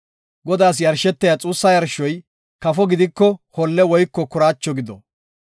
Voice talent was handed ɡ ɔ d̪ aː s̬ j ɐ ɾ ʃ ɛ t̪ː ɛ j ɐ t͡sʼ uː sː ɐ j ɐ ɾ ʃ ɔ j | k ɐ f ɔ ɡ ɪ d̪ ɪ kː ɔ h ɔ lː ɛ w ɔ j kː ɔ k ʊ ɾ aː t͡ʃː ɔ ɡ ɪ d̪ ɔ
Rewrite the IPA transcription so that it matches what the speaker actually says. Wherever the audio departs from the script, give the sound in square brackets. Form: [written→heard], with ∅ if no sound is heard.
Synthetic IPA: ɡ ɔ d̪ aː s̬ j ɐ ɾ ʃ ɛ t̪ː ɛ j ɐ t͡sʼ uː sː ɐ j ɐ ɾ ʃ ɔ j | k ɐ f ɔ ɡ ɪ d̪ ɪ kː ɔ h ɔ lː ɛ w ɔ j kː ɔ k ʊ ɾ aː t͡ʃː ɔ ɡ ɪ d̪ ɔ

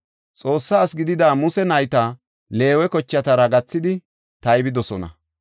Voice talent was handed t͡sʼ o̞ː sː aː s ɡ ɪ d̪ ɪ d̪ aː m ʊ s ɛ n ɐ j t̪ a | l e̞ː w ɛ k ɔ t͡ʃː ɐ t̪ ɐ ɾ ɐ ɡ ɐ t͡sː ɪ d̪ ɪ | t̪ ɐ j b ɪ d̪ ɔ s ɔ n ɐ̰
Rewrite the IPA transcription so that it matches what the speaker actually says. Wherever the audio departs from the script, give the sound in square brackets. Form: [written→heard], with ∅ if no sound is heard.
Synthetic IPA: t͡sʼ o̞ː sː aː s ɡ ɪ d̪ ɪ d̪ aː m ʊ s ɛ n ɐ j t̪ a | l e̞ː w ɛ k ɔ t͡ʃː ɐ t̪ ɐ ɾ ɐ ɡ ɐ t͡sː ɪ d̪ ɪ | t̪ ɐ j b ɪ d̪ ɔ s ɔ n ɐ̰

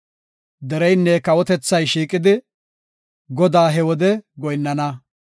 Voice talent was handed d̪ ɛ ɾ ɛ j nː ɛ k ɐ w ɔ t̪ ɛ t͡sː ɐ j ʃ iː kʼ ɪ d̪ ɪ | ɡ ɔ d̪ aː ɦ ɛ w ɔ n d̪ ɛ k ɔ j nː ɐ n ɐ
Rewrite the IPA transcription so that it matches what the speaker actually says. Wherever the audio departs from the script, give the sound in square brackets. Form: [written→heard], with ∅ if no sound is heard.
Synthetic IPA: d̪ ɛ ɾ ɛ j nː ɛ k ɐ w ɔ t̪ ɛ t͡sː ɐ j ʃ iː kʼ ɪ d̪ ɪ | ɡ ɔ d̪ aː ɦ ɛ w ɔ [n→∅] d̪ ɛ [k→ɡ] ɔ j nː ɐ n ɐ

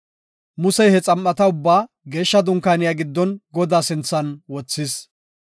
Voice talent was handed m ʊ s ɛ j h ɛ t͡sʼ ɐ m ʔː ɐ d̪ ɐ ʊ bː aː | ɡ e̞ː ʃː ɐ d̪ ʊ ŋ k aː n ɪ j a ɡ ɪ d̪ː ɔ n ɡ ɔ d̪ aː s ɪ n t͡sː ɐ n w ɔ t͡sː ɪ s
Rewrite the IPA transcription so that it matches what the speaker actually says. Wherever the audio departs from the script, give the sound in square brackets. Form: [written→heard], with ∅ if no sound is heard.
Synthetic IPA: m ʊ s ɛ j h ɛ t͡sʼ ɐ m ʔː ɐ [d̪→t̪] ɐ ʊ bː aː | ɡ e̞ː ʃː ɐ d̪ ʊ ŋ k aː n ɪ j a ɡ ɪ d̪ː ɔ n ɡ ɔ d̪ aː s ɪ n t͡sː ɐ n w ɔ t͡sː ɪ s

